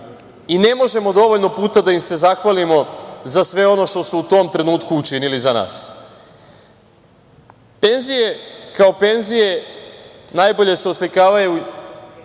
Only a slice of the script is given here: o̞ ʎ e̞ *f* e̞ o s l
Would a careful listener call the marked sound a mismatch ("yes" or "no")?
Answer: yes